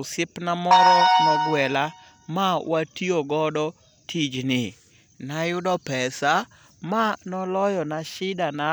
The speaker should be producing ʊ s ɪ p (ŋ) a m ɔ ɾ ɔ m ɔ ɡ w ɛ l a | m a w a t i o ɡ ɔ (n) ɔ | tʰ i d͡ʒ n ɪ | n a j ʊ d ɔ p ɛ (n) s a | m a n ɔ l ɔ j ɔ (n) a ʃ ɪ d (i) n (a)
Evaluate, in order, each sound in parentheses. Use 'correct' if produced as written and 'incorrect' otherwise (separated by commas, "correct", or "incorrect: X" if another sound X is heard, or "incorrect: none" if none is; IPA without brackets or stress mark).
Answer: incorrect: n, incorrect: d, incorrect: none, correct, incorrect: a, correct